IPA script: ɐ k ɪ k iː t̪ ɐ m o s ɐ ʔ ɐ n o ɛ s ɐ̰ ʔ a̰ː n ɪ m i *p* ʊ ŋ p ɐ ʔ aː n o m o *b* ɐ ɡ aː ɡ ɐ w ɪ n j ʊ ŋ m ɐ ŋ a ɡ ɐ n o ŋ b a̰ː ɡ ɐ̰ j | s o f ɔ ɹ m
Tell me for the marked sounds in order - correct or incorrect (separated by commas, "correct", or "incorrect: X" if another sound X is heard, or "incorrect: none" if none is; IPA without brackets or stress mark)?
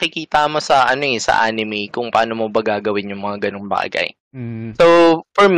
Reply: incorrect: k, correct